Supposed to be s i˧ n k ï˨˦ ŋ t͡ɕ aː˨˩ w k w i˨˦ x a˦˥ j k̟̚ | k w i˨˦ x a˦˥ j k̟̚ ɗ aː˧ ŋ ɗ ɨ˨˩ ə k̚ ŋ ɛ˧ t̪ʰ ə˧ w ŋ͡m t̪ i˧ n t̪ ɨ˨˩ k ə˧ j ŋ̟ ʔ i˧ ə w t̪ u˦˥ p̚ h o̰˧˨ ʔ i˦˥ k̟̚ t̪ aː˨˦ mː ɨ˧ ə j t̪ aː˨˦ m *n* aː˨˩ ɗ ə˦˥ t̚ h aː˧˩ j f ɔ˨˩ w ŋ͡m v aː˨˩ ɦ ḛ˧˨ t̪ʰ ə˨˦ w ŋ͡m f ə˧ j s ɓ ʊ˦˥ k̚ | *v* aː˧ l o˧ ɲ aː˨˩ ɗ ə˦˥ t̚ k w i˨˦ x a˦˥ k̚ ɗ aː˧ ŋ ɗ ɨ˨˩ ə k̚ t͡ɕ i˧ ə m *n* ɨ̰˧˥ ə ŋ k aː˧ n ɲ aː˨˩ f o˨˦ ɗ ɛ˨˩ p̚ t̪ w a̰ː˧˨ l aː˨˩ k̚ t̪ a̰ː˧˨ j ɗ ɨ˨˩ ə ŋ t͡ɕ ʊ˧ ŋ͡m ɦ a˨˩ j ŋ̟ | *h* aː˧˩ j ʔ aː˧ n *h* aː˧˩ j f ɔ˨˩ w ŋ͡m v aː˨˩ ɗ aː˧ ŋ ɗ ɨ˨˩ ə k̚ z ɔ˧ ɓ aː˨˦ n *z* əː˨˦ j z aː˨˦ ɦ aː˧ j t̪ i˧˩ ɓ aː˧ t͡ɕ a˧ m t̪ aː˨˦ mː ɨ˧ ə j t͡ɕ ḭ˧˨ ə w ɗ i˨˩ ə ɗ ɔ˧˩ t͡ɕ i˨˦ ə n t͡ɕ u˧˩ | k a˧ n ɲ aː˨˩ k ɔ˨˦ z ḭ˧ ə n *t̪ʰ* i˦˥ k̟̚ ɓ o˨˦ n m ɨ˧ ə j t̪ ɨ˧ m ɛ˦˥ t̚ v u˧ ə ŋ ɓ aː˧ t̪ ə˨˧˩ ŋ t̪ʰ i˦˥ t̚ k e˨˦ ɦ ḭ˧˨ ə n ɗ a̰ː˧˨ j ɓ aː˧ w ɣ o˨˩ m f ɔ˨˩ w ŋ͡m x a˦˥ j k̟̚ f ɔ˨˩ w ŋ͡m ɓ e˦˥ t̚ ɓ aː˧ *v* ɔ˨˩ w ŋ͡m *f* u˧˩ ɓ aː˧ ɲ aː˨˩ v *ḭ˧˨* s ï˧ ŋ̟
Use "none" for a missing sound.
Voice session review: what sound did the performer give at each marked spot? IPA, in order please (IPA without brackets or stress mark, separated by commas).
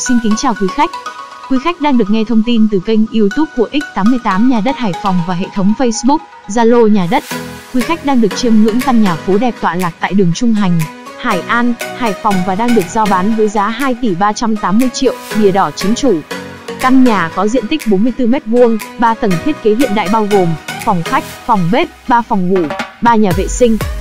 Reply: ɲ, z, ŋ, h, h, v, t̪, f, v, ḛ˧˨